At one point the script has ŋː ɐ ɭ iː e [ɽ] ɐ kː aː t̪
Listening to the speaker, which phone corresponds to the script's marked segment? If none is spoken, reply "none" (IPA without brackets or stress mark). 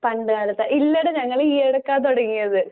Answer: ɽ